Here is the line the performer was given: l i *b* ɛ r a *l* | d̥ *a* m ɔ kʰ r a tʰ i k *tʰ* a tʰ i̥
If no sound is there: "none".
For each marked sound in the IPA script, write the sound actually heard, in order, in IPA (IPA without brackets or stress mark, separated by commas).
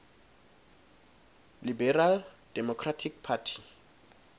b, l, ɛ, pʰ